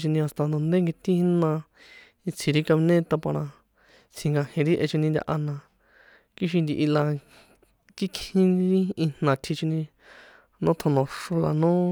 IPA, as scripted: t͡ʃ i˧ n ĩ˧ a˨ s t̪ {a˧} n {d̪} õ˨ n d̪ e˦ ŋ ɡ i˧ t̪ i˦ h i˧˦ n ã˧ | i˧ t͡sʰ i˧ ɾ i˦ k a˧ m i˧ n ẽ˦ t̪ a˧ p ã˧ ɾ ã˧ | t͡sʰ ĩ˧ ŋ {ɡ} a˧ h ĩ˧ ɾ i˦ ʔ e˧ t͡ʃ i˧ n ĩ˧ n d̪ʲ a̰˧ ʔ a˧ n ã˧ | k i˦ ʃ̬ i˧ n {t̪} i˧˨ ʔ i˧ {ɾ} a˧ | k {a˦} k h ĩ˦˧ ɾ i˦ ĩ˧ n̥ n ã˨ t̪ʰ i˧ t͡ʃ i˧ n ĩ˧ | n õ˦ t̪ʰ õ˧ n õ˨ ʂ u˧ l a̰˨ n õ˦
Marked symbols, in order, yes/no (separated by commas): yes, yes, yes, no, no, no